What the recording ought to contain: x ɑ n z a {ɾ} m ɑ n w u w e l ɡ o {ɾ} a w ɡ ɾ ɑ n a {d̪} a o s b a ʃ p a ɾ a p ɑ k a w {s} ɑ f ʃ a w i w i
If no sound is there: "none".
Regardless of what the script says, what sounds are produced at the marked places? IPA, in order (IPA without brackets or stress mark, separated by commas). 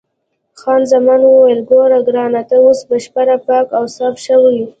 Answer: none, ɾ, t̪, s